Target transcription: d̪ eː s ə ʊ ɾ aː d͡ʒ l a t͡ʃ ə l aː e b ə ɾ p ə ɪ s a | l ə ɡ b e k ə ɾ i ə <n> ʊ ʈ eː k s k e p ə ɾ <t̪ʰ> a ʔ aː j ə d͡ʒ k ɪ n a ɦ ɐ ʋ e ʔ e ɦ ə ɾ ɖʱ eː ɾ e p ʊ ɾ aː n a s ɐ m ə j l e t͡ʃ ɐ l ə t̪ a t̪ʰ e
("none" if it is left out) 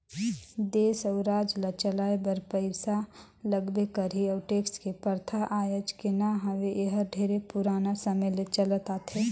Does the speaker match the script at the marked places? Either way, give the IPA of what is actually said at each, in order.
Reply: none, t̪ʰ

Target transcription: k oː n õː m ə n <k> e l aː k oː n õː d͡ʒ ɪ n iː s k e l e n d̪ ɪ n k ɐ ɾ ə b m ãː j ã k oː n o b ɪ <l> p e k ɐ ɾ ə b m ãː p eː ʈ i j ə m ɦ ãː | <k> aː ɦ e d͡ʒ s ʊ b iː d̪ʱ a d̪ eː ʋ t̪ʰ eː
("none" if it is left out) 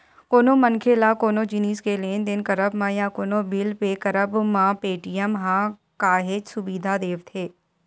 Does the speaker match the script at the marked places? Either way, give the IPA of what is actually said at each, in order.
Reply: kʰ, l, k

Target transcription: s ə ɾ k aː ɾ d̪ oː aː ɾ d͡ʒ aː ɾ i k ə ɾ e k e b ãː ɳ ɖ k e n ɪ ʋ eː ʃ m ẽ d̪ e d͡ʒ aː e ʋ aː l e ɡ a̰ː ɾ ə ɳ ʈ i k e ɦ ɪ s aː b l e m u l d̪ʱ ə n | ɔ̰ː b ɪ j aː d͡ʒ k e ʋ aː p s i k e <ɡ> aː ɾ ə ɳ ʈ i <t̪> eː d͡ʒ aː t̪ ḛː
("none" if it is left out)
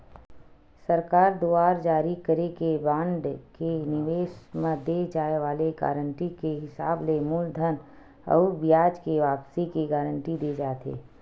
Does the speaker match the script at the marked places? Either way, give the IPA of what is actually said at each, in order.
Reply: ɡ, d̪

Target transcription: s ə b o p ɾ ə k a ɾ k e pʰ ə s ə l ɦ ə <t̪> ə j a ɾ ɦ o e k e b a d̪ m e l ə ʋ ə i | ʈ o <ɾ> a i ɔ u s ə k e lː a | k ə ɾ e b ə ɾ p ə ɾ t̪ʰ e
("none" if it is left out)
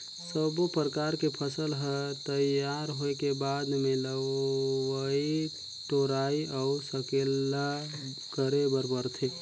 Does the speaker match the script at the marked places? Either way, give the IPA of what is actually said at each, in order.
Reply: t̪, ɾ

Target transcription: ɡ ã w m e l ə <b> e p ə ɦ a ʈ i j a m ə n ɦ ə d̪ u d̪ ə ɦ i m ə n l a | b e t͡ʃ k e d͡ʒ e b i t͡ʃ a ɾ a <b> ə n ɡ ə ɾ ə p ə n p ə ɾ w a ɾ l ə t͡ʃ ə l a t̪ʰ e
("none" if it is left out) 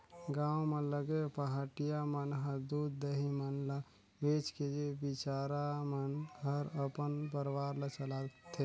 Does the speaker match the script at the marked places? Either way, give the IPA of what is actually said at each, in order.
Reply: ɡ, m

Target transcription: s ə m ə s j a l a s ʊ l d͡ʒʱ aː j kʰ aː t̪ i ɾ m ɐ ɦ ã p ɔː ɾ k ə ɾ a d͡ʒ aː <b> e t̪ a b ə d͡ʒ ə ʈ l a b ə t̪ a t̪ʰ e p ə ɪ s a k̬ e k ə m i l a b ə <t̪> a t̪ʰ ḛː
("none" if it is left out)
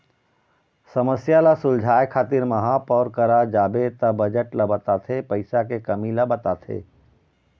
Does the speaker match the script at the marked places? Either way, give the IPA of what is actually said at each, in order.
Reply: b, t̪

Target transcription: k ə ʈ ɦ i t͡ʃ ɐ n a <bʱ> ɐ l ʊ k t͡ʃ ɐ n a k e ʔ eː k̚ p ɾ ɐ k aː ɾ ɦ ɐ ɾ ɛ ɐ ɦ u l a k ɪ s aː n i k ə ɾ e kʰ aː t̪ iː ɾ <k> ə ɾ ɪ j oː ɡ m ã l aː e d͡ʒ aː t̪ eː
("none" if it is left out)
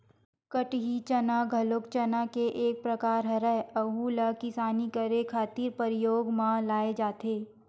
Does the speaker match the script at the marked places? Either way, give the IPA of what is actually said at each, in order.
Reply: ɡʱ, p

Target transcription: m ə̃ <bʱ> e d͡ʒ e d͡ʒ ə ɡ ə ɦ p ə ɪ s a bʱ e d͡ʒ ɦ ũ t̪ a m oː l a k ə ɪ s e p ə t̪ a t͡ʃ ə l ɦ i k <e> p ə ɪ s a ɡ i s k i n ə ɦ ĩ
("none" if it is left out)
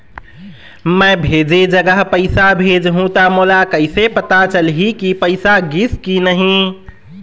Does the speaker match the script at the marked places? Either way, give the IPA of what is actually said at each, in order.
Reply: bʱ, i

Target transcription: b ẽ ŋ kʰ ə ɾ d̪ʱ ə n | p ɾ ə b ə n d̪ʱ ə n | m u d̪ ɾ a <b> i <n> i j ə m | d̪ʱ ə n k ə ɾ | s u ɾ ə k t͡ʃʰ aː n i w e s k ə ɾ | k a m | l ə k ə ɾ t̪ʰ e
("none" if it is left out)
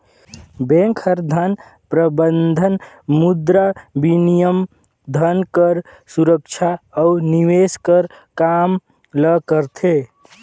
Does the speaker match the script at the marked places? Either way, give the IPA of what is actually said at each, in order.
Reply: b, n

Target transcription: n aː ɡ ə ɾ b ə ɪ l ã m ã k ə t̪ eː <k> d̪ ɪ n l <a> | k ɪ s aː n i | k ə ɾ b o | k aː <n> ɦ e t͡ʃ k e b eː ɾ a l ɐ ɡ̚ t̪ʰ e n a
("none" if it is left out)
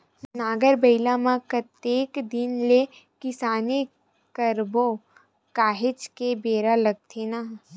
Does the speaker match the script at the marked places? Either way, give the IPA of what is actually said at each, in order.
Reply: k, e, none

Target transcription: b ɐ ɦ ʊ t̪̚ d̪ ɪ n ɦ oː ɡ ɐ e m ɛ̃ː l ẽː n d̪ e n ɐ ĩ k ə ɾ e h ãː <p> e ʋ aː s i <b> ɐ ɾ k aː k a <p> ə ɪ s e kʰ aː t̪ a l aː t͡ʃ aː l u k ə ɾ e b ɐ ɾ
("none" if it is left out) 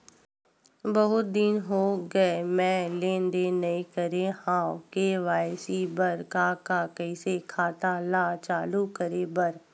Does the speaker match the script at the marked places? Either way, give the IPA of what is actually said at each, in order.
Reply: k, b, k

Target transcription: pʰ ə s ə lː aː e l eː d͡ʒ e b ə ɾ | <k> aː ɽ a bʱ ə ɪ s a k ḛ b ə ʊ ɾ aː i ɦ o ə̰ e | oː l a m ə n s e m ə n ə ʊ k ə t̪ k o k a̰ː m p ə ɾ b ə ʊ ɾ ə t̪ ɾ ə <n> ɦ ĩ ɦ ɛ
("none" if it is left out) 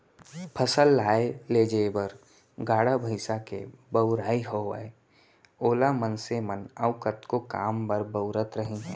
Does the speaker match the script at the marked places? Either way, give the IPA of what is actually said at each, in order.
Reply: ɡ, none

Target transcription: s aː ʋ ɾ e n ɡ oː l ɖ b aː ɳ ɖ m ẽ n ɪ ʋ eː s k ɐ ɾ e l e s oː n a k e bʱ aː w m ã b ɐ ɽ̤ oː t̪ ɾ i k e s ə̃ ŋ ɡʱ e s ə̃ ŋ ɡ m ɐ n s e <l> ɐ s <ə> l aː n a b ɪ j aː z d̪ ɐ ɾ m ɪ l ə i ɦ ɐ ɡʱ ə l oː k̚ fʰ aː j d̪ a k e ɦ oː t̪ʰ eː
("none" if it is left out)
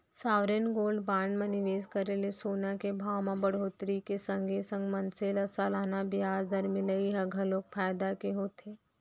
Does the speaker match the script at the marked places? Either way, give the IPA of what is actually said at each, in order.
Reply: l, a

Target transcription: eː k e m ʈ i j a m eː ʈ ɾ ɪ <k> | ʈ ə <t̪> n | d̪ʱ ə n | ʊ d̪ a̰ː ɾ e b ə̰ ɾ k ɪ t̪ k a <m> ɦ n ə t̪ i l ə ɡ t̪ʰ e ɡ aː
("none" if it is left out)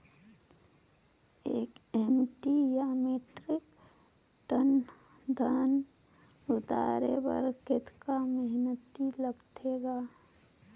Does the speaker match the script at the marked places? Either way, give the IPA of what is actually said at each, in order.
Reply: k, none, m

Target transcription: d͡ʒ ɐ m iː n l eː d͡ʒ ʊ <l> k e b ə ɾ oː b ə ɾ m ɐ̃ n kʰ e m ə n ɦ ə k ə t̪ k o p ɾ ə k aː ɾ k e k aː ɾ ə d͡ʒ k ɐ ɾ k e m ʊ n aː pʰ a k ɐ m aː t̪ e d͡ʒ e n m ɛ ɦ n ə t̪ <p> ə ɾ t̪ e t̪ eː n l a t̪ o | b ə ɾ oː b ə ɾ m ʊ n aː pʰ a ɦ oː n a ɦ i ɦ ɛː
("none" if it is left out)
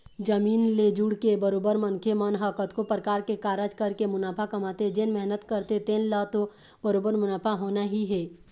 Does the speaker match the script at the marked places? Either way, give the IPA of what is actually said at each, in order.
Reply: ɽ, k

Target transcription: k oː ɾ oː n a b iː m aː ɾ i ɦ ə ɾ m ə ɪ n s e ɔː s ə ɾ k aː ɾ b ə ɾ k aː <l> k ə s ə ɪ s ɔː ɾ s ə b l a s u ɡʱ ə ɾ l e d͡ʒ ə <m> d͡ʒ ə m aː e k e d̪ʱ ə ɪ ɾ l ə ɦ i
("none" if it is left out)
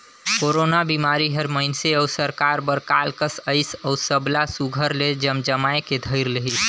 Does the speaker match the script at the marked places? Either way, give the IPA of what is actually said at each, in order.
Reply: l, m

